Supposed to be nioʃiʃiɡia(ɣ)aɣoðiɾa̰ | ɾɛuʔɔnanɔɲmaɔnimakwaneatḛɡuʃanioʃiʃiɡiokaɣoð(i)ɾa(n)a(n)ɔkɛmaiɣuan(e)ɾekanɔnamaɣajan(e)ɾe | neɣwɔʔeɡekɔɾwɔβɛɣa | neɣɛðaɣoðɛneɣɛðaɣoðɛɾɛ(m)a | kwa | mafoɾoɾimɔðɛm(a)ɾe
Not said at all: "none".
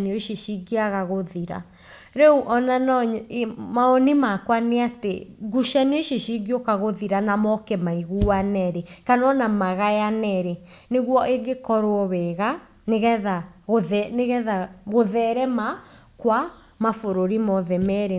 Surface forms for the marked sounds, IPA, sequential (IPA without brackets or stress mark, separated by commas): ɣ, i, n, m, ɛ, ɛ, m, ɛ